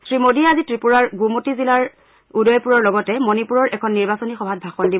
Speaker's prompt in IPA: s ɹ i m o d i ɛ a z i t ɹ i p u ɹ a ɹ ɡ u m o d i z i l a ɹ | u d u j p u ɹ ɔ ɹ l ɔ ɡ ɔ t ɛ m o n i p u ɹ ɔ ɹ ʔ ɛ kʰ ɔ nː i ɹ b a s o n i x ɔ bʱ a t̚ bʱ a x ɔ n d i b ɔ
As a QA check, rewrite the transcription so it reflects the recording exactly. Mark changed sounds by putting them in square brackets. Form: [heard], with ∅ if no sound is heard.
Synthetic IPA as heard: s ɹ i m o d i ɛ a z i t ɹ i p u ɹ a ɹ ɡ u m o [t] i z i l a ɹ | u d [ɔ] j p u ɹ ɔ ɹ l ɔ ɡ ɔ t ɛ m o n i p u ɹ ɔ ɹ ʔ ɛ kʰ ɔ nː i ɹ b a s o n i x ɔ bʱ a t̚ bʱ a x ɔ n d i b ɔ